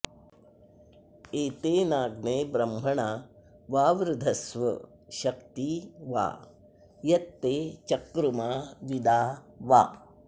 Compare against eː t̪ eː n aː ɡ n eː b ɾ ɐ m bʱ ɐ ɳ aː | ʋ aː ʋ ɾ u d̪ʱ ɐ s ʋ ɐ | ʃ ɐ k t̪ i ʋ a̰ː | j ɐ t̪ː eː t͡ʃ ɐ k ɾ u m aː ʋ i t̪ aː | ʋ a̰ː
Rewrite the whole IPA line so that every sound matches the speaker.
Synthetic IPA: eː t̪ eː n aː ɡ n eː b ɾ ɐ m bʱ ɐ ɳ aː | ʋ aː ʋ ɾ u d̪ʱ ɐ s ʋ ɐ | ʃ ɐ k t̪ i ʋ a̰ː | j ɐ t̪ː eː t͡ʃ ɐ k ɾ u m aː ʋ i d̪ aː | ʋ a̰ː